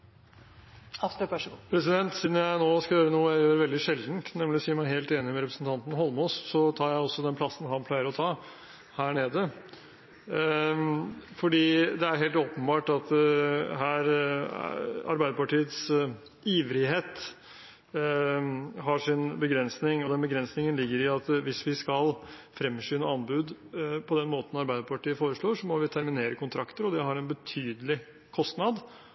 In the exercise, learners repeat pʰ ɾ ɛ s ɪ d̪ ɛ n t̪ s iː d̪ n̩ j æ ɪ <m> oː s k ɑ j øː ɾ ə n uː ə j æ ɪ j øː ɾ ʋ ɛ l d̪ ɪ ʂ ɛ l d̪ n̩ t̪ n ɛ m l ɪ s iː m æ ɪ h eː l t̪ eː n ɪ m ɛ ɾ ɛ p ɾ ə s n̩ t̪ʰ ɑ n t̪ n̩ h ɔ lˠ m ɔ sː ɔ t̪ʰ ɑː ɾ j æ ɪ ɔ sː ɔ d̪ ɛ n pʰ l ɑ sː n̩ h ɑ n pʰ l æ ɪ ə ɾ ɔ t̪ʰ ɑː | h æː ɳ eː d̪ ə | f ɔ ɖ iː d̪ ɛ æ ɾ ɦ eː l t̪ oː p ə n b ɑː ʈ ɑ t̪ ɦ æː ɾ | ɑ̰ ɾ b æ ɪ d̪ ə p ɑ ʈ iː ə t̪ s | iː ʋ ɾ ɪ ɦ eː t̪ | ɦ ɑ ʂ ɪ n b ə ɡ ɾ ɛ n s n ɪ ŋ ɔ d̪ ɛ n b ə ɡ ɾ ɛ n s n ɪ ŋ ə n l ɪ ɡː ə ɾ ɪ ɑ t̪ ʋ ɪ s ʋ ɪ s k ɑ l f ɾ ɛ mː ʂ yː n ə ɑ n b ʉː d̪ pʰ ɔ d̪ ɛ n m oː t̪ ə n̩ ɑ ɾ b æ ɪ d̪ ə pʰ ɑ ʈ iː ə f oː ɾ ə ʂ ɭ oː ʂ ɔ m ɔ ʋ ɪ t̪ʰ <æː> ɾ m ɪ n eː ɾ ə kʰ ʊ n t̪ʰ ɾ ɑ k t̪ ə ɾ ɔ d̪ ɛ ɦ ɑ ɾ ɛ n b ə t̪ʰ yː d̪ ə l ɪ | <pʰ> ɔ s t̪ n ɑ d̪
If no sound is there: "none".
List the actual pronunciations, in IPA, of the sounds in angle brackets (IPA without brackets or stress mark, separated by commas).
n, æ, kʰ